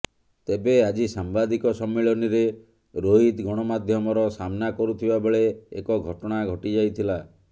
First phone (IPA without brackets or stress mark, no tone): t̪